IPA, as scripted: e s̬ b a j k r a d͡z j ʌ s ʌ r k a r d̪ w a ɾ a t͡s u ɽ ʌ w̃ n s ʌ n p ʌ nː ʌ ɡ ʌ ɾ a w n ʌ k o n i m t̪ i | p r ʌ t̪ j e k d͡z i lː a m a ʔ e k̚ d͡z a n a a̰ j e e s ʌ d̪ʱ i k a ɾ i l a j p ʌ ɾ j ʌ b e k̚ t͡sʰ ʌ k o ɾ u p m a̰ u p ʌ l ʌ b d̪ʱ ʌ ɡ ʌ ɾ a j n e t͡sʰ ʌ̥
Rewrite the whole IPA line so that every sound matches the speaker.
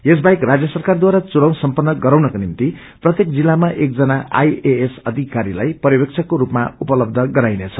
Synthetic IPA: e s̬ b a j k r a d͡z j ʌ s ʌ r k a r d̪ w a ɾ a t͡s u ɽ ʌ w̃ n s ʌ m p ʌ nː ʌ ɡ ʌ ɾ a w n ʌ k o n i m t̪ i | p r ʌ t̪ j e k d͡z i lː a m a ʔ e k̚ d͡z ʌ n a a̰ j e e s ʌ d̪ʱ i k a ɾ i l a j p ʌ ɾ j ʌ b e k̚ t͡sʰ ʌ k o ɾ u p m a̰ u p ʌ l ʌ b d̪ʱ ʌ ɡ ʌ ɾ a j n e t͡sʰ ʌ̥